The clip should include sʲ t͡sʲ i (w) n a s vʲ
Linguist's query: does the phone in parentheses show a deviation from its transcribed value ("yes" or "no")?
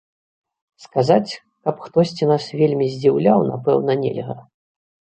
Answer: yes